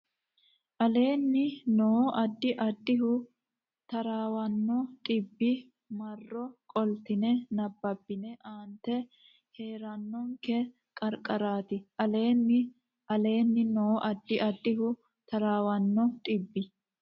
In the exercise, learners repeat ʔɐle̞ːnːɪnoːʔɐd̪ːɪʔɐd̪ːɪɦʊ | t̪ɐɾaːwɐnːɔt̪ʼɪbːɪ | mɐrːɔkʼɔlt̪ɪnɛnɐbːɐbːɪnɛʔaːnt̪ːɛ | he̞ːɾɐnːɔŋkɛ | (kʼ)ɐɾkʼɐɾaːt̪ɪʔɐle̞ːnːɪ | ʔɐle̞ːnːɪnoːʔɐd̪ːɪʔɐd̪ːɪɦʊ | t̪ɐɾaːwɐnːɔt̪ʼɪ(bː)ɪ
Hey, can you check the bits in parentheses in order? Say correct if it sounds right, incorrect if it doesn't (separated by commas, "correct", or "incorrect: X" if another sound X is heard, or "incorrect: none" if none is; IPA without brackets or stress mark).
correct, correct